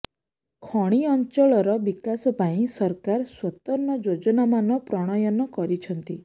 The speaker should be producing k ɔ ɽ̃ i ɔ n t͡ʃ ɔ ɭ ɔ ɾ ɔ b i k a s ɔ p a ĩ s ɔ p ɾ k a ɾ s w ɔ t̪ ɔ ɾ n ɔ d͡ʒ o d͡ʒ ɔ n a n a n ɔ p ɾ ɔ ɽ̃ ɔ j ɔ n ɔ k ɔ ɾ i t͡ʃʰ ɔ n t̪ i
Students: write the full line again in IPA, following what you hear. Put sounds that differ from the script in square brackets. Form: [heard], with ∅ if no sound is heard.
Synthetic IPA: [kʰ] ɔ ɽ̃ i ɔ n t͡ʃ ɔ ɭ ɔ ɾ ɔ b i k a s ɔ p a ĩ s ɔ [∅] ɾ k a ɾ s w ɔ t̪ ɔ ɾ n ɔ d͡ʒ o d͡ʒ ɔ n a [m] a n ɔ p ɾ ɔ ɽ̃ ɔ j ɔ n ɔ k ɔ ɾ i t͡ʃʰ ɔ n t̪ i